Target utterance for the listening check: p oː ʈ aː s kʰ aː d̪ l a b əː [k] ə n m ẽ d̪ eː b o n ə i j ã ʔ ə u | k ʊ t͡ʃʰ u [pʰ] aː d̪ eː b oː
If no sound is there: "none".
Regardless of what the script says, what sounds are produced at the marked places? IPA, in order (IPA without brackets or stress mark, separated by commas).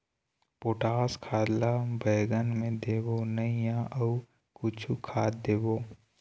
ɡ, kʰ